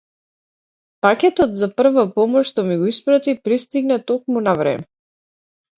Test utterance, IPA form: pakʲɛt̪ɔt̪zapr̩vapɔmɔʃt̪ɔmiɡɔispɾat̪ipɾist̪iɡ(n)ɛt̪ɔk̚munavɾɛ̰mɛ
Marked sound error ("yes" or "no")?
no